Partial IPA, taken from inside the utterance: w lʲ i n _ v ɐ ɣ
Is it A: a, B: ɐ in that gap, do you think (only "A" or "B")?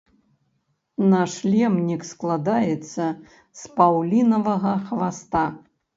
B